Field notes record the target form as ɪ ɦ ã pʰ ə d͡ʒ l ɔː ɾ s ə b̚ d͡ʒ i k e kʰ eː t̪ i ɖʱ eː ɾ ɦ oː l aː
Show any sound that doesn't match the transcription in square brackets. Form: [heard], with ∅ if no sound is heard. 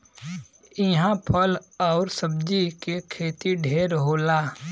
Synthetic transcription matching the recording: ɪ ɦ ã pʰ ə [∅] l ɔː ɾ s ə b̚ d͡ʒ i k e kʰ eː t̪ i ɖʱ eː ɾ ɦ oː l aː